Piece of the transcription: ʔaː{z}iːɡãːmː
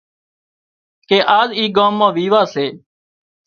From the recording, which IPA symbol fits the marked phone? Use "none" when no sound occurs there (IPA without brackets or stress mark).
z